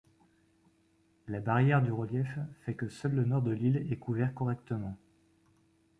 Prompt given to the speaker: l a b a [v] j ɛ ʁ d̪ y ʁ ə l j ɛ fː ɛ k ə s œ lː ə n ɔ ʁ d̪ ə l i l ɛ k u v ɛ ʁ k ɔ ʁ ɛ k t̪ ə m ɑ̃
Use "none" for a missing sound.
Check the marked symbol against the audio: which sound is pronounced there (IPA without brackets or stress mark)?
ʁ